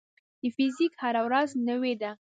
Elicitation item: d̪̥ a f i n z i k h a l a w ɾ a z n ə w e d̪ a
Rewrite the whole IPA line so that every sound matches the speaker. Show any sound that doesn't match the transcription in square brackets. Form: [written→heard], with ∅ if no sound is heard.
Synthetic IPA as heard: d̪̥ [a→ə] f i [n→∅] z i k h a [l→ɾ] a w ɾ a z n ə w e d̪ a